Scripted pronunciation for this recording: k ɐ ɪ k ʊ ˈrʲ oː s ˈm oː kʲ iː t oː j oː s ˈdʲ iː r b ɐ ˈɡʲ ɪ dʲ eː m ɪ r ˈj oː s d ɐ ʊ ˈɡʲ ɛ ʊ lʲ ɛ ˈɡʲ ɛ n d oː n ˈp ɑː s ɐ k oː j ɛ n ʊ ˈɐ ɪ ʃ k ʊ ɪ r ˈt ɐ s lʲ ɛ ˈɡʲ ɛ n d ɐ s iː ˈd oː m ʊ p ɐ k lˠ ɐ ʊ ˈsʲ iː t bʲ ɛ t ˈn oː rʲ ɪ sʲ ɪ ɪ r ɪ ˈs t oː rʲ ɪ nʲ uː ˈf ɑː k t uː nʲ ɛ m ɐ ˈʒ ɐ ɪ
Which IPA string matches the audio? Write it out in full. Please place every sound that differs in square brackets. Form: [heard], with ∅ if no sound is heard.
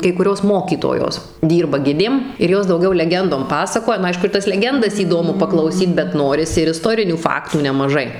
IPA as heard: k ɐ ɪ k ʊ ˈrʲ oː s ˈm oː kʲ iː t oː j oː s ˈdʲ iː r b ɐ ˈɡʲ ɪ dʲ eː m ɪ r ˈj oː s d ɐ ʊ ˈɡʲ ɛ ʊ lʲ ɛ ˈɡʲ ɛ n d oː [m] ˈp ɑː s ɐ k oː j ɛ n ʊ ˈɐ ɪ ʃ k ʊ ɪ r ˈt ɐ s lʲ ɛ ˈɡʲ ɛ n d ɐ s iː ˈd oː m ʊ p ɐ k lˠ ɐ ʊ ˈsʲ iː t bʲ ɛ t ˈn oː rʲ ɪ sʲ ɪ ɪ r ɪ ˈs t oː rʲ ɪ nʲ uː ˈf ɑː k t uː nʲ ɛ m ɐ ˈʒ ɐ ɪ

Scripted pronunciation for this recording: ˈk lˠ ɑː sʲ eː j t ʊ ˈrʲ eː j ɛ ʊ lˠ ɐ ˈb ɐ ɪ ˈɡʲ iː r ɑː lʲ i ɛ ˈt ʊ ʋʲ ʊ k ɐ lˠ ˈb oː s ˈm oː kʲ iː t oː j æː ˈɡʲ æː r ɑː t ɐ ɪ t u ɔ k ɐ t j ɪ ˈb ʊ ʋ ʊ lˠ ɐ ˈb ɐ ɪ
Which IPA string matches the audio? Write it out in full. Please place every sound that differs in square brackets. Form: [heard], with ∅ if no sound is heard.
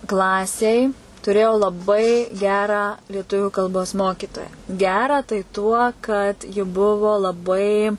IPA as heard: ˈk lˠ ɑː sʲ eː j t ʊ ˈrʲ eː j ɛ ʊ lˠ ɐ ˈb ɐ ɪ ˈɡʲ [æː] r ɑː lʲ i ɛ ˈt ʊ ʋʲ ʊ k ɐ lˠ ˈb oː s ˈm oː kʲ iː t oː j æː ˈɡʲ æː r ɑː t ɐ ɪ t u ɔ k ɐ t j ɪ ˈb ʊ ʋ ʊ lˠ ɐ ˈb ɐ ɪ

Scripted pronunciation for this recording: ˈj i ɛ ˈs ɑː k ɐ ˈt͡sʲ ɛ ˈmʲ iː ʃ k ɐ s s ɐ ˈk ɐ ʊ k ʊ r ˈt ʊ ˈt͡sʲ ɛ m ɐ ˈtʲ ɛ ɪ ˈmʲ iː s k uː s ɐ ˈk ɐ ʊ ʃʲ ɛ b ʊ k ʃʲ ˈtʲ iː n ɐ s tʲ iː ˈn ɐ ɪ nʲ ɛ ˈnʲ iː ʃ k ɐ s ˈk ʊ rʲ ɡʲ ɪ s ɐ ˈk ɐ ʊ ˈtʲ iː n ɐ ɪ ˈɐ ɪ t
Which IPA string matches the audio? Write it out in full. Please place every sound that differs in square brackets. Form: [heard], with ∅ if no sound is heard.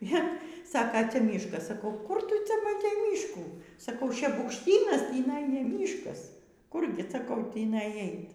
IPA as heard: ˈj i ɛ ˈs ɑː k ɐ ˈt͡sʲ ɛ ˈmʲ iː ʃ k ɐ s s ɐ ˈk ɐ ʊ k ʊ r ˈt ʊ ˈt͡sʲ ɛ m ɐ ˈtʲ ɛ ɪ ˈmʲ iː [ʃ] k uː s ɐ ˈk ɐ ʊ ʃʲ ɛ b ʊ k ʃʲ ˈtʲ iː n ɐ s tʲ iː ˈn ɐ ɪ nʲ ɛ [ˈmʲ] iː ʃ k ɐ s ˈk ʊ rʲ ɡʲ ɪ s ɐ ˈk ɐ ʊ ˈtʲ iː n ɐ ɪ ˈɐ ɪ t

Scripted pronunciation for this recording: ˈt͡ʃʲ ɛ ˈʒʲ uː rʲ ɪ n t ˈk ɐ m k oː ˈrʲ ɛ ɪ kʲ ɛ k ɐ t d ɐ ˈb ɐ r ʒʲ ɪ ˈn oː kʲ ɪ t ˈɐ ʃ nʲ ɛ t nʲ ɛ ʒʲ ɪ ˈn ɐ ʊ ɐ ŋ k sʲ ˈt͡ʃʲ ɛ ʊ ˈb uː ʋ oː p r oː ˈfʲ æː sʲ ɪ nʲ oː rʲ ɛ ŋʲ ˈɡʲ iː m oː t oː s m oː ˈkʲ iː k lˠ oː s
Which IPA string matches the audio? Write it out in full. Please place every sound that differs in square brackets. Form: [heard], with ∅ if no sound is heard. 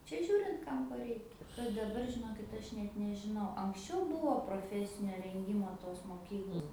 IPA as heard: ˈt͡ʃʲ ɛ ˈʒʲ uː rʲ ɪ n t ˈk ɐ m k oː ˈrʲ ɛ ɪ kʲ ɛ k ɐ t d ɐ ˈb ɐ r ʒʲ ɪ ˈn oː kʲ ɪ t ˈɐ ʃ nʲ ɛ t nʲ ɛ ʒʲ ɪ ˈn ɐ ʊ ɐ ŋ k sʲ ˈt͡ʃʲ ɛ ʊ ˈb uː ʋ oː p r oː ˈfʲ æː sʲ ɪ nʲ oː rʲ ɛ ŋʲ ˈɡʲ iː m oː t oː s m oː ˈkʲ iː k lˠ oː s

